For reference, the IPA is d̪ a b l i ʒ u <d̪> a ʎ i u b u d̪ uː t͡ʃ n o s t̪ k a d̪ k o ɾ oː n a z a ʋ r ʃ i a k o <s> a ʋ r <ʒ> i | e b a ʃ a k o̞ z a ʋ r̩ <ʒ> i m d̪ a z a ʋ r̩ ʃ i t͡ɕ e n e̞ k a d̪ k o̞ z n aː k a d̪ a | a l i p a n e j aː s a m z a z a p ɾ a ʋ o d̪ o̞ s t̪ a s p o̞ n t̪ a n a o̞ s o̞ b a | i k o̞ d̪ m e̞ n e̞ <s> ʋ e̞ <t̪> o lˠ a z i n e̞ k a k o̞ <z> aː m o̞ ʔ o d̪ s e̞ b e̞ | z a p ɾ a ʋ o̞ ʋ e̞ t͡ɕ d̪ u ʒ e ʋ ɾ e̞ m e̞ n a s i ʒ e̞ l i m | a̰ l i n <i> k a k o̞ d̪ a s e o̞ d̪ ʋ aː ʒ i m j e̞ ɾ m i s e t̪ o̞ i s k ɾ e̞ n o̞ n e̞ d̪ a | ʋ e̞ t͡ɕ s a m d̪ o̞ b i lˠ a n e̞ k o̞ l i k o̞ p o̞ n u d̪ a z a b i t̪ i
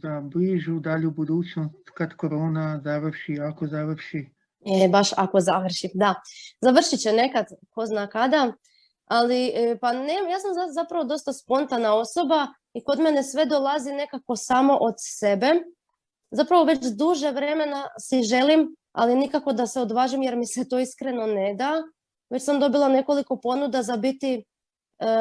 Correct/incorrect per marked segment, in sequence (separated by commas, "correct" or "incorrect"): correct, incorrect, incorrect, incorrect, correct, incorrect, incorrect, correct